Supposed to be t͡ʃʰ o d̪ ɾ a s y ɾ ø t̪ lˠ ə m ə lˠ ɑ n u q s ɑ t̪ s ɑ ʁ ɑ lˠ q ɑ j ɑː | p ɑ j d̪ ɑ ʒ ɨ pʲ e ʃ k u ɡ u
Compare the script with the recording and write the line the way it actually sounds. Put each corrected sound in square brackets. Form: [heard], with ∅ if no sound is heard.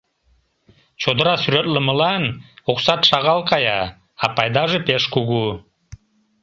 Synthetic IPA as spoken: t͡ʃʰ o d̪ ɾ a s y ɾ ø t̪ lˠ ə m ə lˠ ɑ n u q s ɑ t̪ [ʃ] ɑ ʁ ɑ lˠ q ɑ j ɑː | p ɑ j d̪ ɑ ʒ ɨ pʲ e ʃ k u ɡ u